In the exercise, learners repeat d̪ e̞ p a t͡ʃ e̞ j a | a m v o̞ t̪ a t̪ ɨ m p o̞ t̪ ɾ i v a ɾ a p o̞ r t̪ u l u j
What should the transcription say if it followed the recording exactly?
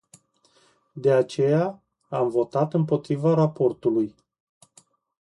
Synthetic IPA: d̪ e̞ a t͡ʃ e̞ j a | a m v o̞ t̪ a t̪ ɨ m p o̞ t̪ ɾ i v a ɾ a p o̞ r t̪ u l u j